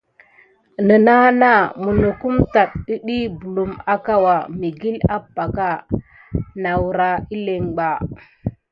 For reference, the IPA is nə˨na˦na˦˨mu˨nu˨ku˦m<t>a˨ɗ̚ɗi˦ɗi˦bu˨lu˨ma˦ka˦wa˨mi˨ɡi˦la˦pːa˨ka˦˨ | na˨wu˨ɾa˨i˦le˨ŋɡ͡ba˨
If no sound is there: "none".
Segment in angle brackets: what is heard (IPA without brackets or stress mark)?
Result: t